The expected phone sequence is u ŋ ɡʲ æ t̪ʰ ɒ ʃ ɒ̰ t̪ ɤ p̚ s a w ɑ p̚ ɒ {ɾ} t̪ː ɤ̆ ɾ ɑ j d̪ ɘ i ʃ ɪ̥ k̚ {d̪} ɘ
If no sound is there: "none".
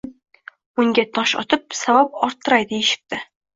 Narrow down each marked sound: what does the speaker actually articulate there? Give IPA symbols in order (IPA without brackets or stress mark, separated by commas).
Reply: ɾ, t̪